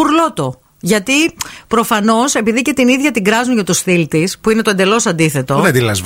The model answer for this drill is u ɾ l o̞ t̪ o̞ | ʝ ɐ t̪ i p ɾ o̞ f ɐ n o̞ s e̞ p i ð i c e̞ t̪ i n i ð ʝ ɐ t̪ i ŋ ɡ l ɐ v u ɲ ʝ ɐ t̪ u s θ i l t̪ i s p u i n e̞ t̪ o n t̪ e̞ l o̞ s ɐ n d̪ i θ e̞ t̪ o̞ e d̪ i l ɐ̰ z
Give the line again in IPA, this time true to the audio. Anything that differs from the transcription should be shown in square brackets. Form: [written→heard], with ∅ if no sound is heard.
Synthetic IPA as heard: u ɾ l o̞ t̪ o̞ | ʝ ɐ t̪ i p ɾ o̞ f ɐ n o̞ s e̞ p i ð i c e̞ t̪ i n i ð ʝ ɐ t̪ i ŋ ɡ [l→ɾ] ɐ [v→z] u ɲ ʝ ɐ t̪ u s θ i l t̪ i s p u i n e̞ t̪ o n [t̪→d̪] e̞ l o̞ s ɐ n d̪ i θ e̞ t̪ o̞ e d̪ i l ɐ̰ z